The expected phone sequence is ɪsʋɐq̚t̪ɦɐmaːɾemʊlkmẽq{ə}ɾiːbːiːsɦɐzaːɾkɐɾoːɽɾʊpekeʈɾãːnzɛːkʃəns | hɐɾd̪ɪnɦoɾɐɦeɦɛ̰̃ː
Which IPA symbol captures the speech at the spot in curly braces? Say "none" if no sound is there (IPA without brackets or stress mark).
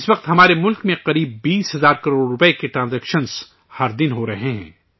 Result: ɐ